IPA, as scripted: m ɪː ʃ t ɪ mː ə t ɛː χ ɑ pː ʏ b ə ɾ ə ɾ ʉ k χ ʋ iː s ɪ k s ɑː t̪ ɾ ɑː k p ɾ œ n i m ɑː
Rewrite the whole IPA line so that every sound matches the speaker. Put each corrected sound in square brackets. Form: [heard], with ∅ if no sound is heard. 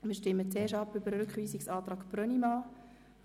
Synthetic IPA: m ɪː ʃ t ɪ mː ə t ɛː [ʃ] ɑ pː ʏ b ə ɾ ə ɾ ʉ k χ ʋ iː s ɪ k s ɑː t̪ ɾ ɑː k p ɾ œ n i m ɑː